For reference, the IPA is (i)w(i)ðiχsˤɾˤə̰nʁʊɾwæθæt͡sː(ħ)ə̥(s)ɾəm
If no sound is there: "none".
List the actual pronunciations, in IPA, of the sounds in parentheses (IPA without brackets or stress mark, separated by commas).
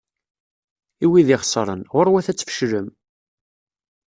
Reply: i, i, f, ʃ